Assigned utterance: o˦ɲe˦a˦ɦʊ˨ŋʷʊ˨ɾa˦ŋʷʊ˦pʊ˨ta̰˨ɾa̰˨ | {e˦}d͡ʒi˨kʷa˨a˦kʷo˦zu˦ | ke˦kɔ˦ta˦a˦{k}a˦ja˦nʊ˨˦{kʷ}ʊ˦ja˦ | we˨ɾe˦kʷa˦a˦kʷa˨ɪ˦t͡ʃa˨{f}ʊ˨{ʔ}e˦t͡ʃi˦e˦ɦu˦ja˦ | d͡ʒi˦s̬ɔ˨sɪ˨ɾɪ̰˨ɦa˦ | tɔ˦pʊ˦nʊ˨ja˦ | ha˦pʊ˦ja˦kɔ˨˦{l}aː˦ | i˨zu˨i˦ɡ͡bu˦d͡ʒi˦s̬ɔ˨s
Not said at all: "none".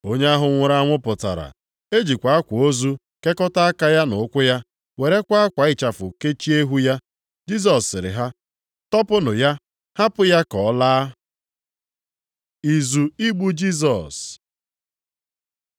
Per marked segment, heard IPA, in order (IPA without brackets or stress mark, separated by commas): e˦, k, kʷ, f, k, l